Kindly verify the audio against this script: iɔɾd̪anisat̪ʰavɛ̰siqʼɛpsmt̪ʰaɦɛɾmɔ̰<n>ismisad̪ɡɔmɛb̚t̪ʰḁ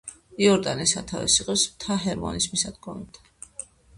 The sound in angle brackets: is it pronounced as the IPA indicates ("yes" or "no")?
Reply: yes